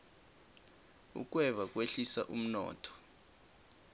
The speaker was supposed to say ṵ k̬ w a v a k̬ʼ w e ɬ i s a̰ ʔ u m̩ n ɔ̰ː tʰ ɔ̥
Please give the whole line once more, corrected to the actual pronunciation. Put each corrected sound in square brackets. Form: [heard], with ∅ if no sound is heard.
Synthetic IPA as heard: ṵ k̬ w [ɛ] v a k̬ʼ w e ɬ i s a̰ ʔ u m̩ n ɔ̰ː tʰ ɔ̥